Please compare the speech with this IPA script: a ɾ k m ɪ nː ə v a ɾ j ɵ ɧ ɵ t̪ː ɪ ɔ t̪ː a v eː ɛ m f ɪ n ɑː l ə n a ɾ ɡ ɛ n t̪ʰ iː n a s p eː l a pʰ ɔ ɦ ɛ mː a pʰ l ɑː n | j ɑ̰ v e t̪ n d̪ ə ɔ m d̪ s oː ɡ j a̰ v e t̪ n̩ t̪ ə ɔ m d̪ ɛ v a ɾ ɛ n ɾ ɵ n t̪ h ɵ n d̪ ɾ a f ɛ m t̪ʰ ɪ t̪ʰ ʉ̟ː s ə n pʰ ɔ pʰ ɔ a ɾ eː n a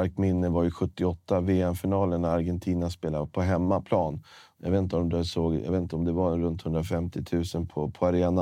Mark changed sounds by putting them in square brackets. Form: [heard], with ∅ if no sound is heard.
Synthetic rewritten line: a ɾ k m ɪ nː ə v a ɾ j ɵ ɧ ɵ t̪ː ɪ ɔ t̪ː a v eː ɛ m f ɪ n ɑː l ə n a ɾ ɡ ɛ n t̪ʰ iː n a s p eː l a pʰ ɔ ɦ ɛ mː a pʰ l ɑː n | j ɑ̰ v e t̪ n [t̪] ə ɔ m d̪ s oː ɡ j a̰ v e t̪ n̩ t̪ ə ɔ m d̪ ɛ v a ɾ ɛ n ɾ ɵ n t̪ h ɵ n d̪ ɾ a f ɛ m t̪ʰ ɪ t̪ʰ ʉ̟ː s ə n pʰ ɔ pʰ ɔ a ɾ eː n a